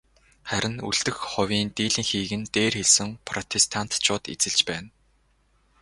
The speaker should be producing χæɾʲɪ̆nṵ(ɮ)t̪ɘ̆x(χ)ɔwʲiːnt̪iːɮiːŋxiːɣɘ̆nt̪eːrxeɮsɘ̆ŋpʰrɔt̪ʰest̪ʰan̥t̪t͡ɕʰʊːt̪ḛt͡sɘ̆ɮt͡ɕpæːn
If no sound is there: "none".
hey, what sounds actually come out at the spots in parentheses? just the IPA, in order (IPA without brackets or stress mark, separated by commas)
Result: ɮ, χ